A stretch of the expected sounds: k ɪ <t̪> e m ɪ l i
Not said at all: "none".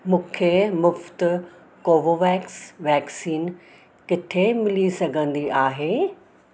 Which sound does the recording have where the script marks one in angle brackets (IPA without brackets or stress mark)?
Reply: t̪ʰ